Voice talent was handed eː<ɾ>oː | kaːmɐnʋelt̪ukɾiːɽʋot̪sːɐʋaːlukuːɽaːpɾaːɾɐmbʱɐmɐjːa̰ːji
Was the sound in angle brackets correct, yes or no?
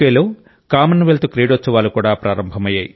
no